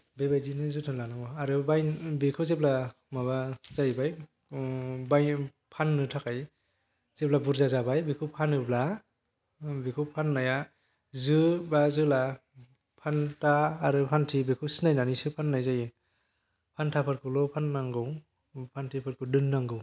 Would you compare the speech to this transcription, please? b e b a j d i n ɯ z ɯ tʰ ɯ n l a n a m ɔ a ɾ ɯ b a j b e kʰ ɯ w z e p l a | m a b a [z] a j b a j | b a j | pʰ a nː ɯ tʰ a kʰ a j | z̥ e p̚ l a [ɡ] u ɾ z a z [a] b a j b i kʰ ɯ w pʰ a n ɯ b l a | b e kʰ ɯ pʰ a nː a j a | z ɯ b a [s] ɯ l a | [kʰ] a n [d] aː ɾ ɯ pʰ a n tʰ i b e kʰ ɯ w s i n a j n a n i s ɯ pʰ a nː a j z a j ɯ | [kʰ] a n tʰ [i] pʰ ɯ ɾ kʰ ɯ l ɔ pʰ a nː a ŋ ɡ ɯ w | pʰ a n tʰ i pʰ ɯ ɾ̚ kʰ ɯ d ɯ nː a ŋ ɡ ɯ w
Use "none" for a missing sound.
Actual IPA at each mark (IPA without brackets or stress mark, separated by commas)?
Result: z, b, a, z, pʰ, t, pʰ, a